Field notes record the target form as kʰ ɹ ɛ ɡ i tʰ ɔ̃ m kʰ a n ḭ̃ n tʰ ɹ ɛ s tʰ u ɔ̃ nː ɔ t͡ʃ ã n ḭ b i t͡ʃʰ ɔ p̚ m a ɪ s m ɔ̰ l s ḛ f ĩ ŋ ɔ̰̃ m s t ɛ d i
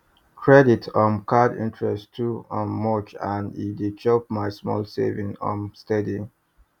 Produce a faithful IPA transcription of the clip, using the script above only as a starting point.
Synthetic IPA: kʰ ɹ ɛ d i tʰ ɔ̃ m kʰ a d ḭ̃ n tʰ ɹ ɛ s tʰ u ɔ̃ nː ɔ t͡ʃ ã n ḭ d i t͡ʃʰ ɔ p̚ m a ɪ s m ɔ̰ l s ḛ v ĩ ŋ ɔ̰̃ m s t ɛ d i